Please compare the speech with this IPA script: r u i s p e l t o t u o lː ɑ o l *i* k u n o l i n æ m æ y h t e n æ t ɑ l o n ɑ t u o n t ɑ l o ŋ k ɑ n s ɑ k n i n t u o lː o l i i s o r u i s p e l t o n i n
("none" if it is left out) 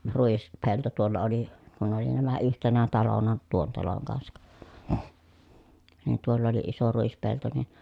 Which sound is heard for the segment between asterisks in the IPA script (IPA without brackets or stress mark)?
i